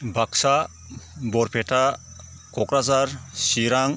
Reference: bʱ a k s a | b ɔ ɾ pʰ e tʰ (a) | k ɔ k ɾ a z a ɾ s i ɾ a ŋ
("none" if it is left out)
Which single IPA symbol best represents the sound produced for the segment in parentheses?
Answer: a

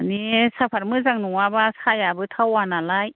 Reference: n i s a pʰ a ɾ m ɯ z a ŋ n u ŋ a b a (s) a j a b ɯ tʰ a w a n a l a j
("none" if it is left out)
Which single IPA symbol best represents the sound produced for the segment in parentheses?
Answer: s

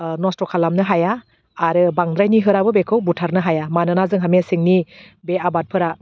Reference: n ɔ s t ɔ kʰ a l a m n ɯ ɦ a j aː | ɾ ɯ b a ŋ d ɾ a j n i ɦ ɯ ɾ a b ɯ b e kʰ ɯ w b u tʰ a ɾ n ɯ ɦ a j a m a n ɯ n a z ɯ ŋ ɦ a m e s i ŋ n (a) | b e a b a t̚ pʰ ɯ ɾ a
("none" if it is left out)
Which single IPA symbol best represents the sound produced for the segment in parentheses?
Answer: i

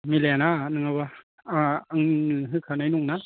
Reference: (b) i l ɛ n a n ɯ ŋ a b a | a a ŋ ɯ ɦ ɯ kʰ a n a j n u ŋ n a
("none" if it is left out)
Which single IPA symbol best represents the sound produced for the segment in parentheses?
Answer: m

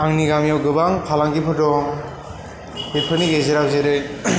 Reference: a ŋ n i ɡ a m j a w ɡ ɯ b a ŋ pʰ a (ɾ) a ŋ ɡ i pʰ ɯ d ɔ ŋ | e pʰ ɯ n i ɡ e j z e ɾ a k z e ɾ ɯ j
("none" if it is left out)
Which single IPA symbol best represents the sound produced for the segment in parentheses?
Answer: l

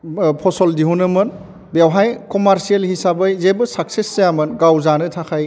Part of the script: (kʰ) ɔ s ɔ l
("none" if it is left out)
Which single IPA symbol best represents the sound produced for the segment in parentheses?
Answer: pʰ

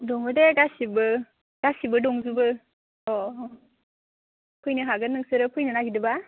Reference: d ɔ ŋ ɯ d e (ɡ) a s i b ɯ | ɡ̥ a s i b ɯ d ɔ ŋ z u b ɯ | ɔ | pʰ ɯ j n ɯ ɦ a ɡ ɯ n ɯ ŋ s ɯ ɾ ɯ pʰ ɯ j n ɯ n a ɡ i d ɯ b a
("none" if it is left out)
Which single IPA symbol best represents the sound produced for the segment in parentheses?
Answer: ɡ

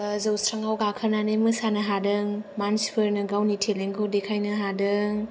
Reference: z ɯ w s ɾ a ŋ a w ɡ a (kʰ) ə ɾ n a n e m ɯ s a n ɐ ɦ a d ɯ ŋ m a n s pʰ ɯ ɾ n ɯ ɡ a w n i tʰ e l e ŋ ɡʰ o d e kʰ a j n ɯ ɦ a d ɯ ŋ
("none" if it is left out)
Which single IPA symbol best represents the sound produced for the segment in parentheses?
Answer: kʰ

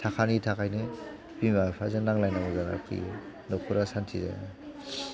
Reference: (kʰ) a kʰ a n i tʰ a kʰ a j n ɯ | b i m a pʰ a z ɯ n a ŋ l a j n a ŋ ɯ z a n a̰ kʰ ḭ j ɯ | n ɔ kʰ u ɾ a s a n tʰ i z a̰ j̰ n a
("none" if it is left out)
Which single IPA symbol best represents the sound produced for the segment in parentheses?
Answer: tʰ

